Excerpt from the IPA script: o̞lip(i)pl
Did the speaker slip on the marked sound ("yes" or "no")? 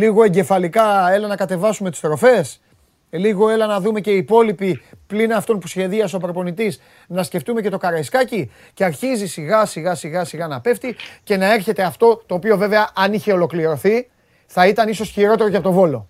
no